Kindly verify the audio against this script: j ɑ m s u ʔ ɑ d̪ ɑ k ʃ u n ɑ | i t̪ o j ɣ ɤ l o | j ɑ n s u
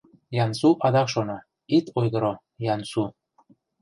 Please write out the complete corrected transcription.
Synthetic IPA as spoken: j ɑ n s u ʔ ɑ d̪ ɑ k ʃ o n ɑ | i t̪ o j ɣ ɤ ɾ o | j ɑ n s u